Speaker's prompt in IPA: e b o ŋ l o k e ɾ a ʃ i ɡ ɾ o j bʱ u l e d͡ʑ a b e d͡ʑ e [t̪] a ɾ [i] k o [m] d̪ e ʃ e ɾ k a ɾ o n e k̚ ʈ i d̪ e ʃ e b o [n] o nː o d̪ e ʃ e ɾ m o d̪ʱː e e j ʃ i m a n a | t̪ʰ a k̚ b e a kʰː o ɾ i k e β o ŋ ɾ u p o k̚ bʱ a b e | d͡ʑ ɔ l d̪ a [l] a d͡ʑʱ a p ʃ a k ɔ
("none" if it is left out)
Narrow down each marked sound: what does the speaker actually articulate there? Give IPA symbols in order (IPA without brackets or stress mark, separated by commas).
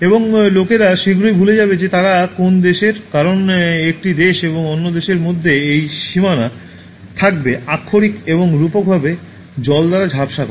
t̪, a, n, ŋ, ɾ